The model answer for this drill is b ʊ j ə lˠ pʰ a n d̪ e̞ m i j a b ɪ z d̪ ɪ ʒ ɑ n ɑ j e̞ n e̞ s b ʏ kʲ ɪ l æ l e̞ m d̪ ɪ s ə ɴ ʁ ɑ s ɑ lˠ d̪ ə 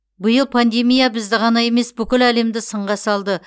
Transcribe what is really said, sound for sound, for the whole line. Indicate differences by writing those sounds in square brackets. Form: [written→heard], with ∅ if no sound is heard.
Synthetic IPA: b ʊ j ə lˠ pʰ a n d̪ e̞ m i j a b ɪ z d̪ ɪ [ʒ→ʁ] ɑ n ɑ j e̞ [n→m] e̞ s b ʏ kʲ ɪ l æ l e̞ m d̪ ɪ s ə ɴ ʁ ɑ s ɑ lˠ d̪ ə